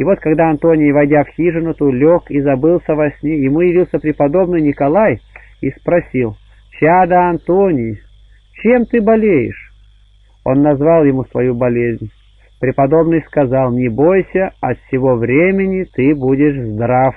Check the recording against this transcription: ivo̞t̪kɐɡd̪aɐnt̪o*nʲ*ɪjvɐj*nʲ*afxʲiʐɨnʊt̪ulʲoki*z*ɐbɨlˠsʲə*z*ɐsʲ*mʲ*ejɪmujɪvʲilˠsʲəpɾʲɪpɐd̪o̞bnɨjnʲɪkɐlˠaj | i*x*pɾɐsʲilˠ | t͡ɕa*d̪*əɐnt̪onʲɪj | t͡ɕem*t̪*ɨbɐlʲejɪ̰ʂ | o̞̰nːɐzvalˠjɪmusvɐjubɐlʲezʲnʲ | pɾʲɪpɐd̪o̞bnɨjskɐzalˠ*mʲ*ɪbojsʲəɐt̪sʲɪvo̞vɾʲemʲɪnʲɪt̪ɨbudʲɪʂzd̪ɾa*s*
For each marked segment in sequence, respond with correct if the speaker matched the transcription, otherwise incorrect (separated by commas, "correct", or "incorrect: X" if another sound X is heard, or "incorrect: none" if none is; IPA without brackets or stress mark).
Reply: correct, incorrect: dʲ, correct, incorrect: v, incorrect: nʲ, incorrect: s, correct, correct, incorrect: nʲ, incorrect: f